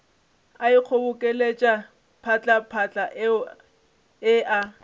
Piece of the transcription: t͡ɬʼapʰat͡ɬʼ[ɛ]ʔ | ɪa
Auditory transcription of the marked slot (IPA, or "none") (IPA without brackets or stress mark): a